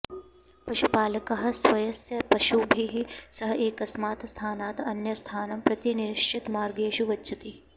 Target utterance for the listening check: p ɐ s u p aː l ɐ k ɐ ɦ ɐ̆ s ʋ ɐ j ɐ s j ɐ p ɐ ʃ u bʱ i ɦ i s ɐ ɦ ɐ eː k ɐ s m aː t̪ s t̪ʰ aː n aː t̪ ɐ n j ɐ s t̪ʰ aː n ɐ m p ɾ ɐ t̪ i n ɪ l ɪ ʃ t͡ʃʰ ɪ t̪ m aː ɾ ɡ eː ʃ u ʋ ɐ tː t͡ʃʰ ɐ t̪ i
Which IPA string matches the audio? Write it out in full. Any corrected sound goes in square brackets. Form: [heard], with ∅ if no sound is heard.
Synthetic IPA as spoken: p ɐ [ʃ] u p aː l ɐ k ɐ ɦ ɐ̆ s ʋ ɐ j ɐ s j ɐ p ɐ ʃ u bʱ i ɦ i s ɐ ɦ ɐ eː k ɐ s m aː t̪ s t̪ʰ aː n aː t̪ ɐ n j ɐ s t̪ʰ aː n ɐ m p ɾ ɐ t̪ i n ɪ [ɾ] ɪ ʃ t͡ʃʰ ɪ t̪ m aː ɾ ɡ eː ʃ u ʋ ɐ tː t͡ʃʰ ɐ t̪ i